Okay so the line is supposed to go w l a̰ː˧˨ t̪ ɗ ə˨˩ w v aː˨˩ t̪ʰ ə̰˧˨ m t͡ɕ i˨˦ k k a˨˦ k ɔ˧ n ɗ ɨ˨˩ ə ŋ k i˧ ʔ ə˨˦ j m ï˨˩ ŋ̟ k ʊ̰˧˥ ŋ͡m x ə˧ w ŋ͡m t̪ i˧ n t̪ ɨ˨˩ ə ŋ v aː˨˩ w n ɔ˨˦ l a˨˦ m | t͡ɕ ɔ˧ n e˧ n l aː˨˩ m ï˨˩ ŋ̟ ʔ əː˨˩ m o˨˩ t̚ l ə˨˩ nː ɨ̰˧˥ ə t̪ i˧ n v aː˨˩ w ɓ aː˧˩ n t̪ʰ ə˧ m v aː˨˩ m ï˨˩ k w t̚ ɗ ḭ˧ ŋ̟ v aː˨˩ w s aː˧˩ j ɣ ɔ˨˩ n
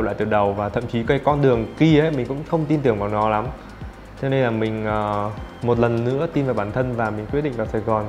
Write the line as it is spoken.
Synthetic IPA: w l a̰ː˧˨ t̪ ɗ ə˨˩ w v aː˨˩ t̪ʰ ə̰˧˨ m t͡ɕ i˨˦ k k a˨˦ k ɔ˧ n ɗ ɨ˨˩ ə ŋ k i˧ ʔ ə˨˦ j m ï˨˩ ŋ̟ k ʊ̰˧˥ ŋ͡m x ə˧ w ŋ͡m t̪ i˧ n t̪ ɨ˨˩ ə ŋ v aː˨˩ w n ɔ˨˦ l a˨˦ m | t͡ɕ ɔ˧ n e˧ n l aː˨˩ m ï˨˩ ŋ̟ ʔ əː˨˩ m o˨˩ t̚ l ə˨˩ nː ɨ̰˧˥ ə t̪ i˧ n v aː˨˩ w ɓ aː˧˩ n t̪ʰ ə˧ n v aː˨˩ m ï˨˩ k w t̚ ɗ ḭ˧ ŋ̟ v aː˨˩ w s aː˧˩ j ɣ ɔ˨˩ n